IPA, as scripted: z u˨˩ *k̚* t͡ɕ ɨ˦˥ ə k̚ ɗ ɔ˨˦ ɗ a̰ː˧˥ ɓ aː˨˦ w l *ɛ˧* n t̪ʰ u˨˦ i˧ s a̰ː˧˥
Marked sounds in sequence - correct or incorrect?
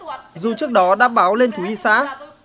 incorrect, incorrect

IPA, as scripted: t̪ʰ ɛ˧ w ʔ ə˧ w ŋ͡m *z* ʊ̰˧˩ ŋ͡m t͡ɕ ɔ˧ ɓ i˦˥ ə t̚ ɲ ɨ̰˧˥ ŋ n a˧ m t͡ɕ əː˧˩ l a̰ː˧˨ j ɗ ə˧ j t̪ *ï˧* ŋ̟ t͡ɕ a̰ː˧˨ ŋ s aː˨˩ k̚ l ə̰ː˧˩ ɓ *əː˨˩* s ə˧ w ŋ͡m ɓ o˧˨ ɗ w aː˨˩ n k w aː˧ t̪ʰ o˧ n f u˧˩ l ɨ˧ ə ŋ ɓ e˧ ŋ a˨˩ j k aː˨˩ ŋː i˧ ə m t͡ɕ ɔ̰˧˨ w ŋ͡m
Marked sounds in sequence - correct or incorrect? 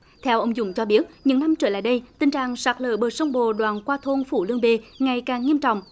correct, correct, correct

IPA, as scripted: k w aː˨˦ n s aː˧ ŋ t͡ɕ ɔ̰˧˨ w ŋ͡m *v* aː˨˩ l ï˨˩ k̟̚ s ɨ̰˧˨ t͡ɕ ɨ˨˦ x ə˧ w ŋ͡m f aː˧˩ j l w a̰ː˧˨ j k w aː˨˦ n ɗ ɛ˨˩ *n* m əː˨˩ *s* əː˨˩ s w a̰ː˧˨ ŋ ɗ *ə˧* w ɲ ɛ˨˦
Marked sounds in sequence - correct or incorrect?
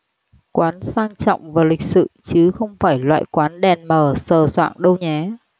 correct, correct, correct, correct

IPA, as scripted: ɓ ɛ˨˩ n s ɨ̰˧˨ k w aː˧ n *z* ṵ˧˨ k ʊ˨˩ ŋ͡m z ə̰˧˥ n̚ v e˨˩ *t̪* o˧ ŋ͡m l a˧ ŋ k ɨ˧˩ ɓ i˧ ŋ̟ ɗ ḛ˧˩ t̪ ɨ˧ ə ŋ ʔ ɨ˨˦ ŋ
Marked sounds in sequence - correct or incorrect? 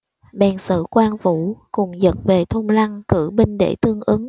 incorrect, incorrect

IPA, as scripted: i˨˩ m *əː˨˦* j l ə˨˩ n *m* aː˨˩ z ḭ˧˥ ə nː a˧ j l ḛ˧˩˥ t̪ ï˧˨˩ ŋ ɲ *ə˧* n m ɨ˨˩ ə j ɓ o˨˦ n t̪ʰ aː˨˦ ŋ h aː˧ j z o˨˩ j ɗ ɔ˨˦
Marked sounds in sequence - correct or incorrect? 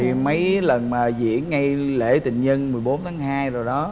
incorrect, correct, correct

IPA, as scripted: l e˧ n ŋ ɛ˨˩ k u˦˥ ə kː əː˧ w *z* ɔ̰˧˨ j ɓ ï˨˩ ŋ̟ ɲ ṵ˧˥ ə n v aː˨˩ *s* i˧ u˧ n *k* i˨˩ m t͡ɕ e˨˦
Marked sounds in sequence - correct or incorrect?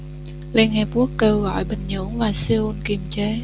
incorrect, correct, correct

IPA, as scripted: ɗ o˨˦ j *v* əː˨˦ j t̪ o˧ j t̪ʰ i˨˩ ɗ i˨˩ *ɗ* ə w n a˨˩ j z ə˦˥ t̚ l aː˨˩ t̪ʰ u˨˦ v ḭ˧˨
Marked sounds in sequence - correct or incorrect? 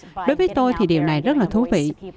correct, incorrect

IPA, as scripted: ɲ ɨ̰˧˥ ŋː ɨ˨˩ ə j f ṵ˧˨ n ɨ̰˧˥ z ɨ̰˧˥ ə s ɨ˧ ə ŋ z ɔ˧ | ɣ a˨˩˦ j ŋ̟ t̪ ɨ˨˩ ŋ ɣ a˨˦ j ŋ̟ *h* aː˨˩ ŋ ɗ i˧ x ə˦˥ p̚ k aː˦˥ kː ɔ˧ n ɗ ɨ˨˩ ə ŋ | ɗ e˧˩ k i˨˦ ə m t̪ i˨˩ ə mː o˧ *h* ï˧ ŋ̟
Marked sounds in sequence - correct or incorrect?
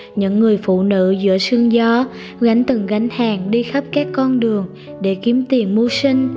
correct, incorrect

